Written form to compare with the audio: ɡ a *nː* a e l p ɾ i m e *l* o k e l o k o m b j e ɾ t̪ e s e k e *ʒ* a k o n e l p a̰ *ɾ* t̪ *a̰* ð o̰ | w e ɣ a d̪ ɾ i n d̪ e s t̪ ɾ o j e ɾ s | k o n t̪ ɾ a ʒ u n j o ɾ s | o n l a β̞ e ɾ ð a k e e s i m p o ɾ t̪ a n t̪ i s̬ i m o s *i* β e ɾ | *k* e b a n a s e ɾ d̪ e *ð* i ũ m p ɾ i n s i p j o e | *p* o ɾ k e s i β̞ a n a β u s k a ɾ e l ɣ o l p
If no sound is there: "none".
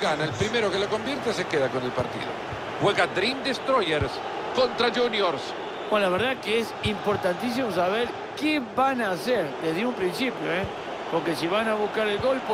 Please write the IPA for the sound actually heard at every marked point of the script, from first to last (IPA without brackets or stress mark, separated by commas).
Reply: n, ɾ, ð, ɾ, ḭ, a, k, ð, p